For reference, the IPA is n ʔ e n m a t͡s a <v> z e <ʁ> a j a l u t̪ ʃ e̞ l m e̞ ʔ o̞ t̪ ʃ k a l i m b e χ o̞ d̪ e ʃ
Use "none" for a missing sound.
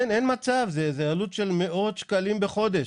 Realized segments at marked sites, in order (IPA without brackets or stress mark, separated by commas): v, z